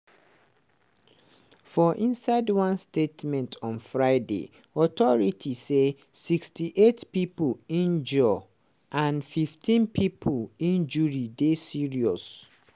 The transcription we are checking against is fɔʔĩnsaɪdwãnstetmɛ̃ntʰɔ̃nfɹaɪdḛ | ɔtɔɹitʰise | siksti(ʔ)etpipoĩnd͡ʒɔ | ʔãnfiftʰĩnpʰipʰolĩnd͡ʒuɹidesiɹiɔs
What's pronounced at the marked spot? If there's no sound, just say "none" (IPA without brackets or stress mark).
ʔ